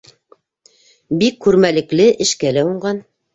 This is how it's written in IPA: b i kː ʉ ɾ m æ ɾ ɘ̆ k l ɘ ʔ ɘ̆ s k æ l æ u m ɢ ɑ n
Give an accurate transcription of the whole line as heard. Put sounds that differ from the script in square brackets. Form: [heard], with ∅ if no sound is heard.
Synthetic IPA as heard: b i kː ʉ ɾ m æ [l] ɘ̆ k l ɘ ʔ ɘ̆ [ʃ] k æ l æ u [ɴ] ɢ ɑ n